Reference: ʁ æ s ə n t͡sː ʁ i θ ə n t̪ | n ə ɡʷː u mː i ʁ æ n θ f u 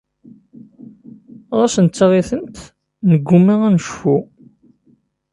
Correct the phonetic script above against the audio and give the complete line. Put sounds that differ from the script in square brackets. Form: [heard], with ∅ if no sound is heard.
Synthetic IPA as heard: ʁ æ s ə n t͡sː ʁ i θ ə n t̪ | n ə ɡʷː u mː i ʁ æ n [ʃ] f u